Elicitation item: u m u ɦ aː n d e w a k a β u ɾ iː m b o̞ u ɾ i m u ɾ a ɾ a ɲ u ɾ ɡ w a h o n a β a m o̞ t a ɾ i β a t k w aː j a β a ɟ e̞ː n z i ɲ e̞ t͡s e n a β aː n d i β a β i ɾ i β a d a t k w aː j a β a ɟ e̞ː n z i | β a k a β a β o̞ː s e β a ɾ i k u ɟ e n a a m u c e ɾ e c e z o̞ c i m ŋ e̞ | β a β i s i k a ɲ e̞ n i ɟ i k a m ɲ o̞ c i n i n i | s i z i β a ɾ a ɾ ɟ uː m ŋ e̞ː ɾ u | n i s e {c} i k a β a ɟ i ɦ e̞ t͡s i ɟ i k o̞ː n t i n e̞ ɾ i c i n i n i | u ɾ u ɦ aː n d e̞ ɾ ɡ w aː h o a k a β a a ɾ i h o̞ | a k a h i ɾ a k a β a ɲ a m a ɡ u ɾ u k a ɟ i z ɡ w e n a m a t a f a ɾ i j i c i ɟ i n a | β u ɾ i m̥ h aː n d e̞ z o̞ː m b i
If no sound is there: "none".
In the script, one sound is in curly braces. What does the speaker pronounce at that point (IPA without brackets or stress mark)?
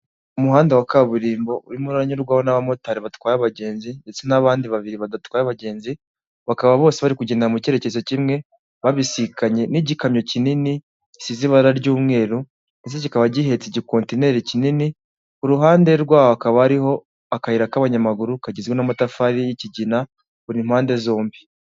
c